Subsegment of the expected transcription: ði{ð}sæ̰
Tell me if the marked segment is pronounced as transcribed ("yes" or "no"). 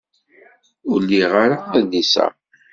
no